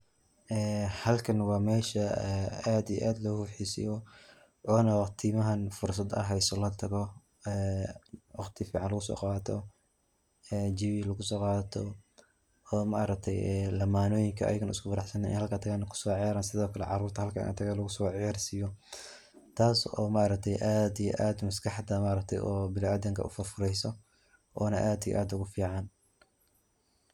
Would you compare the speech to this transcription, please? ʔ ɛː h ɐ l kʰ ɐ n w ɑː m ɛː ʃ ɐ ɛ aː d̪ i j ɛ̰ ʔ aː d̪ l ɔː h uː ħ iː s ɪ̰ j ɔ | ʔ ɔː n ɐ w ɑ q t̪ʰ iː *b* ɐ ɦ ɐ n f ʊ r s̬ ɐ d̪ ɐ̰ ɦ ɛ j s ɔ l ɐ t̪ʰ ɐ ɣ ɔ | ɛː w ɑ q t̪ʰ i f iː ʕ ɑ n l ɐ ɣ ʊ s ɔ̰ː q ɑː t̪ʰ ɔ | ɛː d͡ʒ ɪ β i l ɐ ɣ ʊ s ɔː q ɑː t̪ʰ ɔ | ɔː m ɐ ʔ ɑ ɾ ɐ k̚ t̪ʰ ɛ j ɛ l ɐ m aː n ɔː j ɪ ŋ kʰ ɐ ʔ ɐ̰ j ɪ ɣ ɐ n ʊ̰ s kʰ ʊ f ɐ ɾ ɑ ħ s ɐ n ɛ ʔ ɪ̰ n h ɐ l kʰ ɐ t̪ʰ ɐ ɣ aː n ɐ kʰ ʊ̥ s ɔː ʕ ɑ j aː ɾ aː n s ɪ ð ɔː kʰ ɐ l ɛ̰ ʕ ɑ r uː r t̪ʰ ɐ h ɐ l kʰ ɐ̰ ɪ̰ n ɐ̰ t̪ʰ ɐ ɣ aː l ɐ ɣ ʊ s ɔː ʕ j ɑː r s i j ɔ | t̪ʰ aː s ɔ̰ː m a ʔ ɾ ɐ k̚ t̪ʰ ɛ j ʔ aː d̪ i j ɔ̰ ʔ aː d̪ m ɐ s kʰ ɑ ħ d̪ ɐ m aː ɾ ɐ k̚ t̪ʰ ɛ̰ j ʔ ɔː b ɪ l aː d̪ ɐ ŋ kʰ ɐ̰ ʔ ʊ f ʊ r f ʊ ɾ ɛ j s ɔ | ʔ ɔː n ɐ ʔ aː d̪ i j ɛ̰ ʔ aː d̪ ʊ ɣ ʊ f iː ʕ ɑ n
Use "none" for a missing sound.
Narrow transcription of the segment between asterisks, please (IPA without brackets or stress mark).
m